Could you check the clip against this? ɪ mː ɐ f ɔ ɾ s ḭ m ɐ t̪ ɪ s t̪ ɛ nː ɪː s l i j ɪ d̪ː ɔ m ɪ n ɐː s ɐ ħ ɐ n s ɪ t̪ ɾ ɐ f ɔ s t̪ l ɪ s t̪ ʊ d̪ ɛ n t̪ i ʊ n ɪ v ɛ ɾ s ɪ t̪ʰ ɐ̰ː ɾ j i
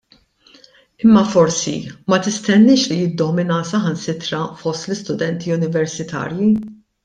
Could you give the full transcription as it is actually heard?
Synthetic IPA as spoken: ɪ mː ɐ f ɔ ɾ s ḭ m ɐ t̪ ɪ s t̪ ɛ nː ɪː ʃ l i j ɪ d̪ː ɔ m ɪ n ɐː s ɐ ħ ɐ n s ɪ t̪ ɾ ɐ f ɔ s t̪ l ɪ s t̪ ʊ d̪ ɛ n t̪ i ʊ n ɪ v ɛ ɾ s ɪ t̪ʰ ɐ̰ː ɾ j i

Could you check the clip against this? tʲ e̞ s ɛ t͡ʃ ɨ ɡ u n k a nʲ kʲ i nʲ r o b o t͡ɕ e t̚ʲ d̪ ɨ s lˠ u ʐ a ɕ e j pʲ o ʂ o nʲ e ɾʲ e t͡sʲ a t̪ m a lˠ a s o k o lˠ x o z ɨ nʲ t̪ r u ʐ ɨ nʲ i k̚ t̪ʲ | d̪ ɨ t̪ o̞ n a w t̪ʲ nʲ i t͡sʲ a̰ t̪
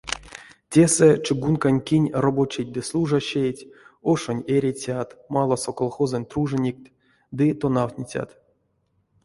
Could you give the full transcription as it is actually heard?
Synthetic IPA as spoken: tʲ e̞ s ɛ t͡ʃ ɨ ɡ u n k a nʲ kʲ i nʲ r o b o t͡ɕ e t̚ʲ d̪ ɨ s lˠ u ʐ a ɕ e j tʲ o ʂ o nʲ e ɾʲ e t͡sʲ a t̪ m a lˠ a s o k o lˠ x o z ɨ nʲ t̪ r u ʐ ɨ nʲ i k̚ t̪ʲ | d̪ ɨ t̪ o̞ n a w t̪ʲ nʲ i t͡sʲ a̰ t̪

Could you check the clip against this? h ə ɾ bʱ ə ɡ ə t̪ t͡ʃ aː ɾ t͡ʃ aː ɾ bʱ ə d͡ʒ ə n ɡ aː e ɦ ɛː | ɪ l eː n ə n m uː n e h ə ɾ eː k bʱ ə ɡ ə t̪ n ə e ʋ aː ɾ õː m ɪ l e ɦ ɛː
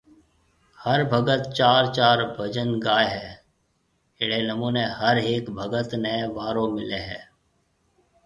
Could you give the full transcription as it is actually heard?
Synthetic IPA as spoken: h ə ɾ bʱ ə ɡ ə t̪ t͡ʃ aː ɾ t͡ʃ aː ɾ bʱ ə d͡ʒ ə n ɡ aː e ɦ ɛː | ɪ ɽ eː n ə m uː n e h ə ɾ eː k bʱ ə ɡ ə t̪ n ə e ʋ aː ɾ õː m ɪ l e ɦ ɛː

